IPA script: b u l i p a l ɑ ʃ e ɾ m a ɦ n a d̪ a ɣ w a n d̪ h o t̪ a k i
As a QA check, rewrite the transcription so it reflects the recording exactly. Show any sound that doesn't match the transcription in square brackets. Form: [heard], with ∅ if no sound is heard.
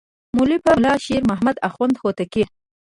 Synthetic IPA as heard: [m] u l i p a l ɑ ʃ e ɾ m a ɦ [m] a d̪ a [x] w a n d̪ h o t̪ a k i